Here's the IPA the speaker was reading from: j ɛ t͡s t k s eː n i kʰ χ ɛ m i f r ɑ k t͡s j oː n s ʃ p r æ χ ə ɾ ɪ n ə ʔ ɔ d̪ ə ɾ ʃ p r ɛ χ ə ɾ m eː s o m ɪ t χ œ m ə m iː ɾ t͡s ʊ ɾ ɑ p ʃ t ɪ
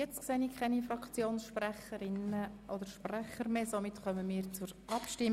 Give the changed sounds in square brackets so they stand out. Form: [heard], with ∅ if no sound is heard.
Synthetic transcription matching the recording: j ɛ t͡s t k s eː n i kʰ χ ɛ [n] i f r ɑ k t͡s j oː n s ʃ p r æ χ ə ɾ ɪ n ə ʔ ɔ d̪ ə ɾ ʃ p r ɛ χ ə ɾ m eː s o m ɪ t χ œ m ə m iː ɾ t͡s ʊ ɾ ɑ p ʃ t ɪ